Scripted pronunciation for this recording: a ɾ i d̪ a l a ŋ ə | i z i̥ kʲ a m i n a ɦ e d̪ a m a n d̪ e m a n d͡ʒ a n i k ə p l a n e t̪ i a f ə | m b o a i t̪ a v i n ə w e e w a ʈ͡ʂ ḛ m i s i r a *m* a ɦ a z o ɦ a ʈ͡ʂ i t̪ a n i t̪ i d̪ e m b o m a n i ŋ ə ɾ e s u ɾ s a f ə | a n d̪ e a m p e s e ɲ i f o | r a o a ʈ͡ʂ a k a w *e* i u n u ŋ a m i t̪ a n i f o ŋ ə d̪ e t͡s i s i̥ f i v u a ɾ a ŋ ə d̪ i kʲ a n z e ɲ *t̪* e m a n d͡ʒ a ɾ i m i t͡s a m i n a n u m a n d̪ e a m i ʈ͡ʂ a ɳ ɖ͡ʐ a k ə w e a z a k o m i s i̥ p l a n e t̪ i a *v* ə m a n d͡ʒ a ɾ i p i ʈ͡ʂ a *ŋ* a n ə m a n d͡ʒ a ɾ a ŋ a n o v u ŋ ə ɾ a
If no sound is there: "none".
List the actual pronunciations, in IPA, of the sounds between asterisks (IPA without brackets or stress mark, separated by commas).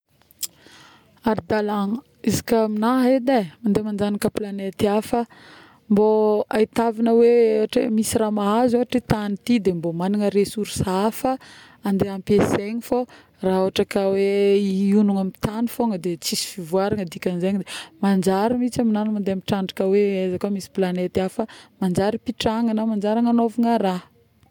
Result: m, e, d̪, f, ŋ